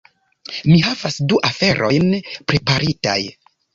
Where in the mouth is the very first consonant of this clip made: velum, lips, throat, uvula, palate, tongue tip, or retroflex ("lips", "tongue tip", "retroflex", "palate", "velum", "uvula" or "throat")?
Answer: lips